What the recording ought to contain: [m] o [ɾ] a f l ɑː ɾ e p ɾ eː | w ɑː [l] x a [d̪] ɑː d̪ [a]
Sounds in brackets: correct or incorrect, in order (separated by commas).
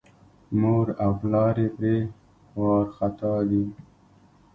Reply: correct, correct, incorrect, incorrect, incorrect